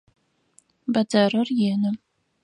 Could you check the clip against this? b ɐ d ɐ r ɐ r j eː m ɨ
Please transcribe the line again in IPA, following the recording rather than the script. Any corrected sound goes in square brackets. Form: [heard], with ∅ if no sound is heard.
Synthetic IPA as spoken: b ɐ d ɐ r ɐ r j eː [n] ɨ